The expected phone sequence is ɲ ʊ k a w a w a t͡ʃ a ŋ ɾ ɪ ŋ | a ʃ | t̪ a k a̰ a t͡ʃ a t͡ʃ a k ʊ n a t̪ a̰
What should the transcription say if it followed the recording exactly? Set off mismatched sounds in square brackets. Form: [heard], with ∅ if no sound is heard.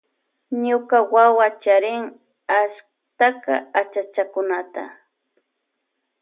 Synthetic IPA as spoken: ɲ ʊ k a w a w a t͡ʃ a [∅] ɾ ɪ ŋ | a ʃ | t̪ a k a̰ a t͡ʃ a t͡ʃ a k ʊ n a t̪ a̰